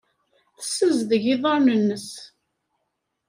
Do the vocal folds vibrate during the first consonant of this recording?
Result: no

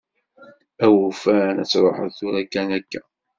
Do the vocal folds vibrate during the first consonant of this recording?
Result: yes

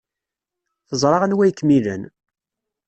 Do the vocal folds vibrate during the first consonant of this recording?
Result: no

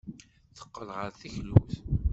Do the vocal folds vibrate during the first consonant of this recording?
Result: no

